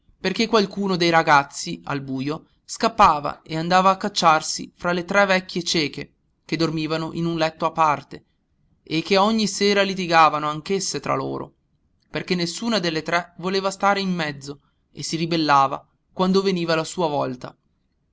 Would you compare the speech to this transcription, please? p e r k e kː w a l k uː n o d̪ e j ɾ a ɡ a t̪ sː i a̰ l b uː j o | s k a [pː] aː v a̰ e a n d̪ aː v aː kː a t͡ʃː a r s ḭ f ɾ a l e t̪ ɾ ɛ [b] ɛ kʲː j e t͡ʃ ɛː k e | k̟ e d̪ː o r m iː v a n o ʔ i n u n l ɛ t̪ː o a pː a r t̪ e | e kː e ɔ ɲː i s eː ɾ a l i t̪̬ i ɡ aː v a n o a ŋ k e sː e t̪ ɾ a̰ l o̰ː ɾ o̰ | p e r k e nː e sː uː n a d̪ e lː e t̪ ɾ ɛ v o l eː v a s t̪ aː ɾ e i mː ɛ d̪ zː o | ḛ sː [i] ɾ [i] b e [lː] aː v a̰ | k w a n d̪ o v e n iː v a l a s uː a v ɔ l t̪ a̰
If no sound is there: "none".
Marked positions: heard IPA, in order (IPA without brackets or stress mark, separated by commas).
pː, v, i, i, lː